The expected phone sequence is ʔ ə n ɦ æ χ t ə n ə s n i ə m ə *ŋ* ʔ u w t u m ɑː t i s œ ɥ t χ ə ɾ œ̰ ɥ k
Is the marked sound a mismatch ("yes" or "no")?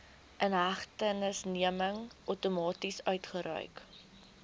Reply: no